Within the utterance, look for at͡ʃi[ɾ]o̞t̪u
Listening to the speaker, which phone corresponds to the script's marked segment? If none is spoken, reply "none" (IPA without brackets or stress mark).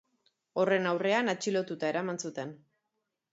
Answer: l